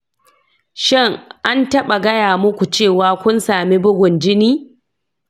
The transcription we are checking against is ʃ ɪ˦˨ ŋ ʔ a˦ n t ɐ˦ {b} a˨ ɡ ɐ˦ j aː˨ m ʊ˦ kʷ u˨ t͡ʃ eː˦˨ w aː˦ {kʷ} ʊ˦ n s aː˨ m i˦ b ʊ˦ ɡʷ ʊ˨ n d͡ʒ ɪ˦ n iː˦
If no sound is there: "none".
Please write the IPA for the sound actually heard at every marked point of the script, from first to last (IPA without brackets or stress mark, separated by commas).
ɓ, kʷ